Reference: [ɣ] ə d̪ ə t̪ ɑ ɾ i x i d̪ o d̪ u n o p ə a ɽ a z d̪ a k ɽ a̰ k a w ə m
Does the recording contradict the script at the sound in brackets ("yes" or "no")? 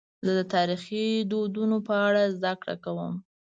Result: yes